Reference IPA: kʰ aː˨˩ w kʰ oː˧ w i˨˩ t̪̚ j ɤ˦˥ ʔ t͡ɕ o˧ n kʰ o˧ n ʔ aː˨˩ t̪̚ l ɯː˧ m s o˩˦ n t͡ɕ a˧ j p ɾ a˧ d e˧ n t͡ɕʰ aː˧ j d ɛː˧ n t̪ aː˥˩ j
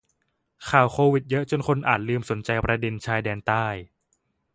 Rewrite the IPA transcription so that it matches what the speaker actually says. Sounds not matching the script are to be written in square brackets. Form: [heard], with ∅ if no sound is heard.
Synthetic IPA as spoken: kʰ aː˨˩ w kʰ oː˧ w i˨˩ t̪̚ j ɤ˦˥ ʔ t͡ɕ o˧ n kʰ o˧ n ʔ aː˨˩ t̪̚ l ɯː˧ m s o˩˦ n t͡ɕ a˧ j p ɾ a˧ d e˧ n t͡ɕʰ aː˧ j d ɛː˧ n t̪ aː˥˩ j